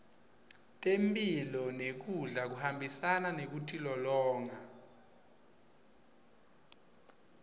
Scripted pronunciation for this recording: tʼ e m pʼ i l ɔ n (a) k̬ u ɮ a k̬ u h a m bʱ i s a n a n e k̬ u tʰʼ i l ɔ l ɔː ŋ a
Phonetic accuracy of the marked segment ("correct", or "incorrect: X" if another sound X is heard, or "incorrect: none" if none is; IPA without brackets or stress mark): incorrect: e